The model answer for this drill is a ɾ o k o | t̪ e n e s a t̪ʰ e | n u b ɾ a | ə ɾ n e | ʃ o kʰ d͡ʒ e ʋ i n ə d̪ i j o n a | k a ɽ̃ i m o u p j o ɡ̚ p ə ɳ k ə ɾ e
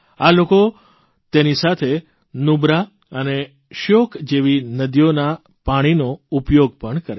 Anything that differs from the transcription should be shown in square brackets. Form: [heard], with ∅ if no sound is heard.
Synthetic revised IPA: a [l] o k o | t̪ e n [i] s a t̪ʰ e | n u b ɾ a | ə [∅] n e | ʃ o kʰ d͡ʒ e ʋ i n ə d̪ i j o n a | [p] a ɽ̃ i [n] o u p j o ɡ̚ p ə ɳ k ə ɾ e